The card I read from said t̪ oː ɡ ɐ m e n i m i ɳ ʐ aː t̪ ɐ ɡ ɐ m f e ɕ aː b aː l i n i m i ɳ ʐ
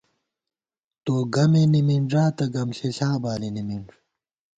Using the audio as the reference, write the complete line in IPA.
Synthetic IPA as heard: t̪ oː ɡ ɐ m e n i m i ɳ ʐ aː t̪ ɐ ɡ ɐ m ɕ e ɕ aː b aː l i n i m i ɳ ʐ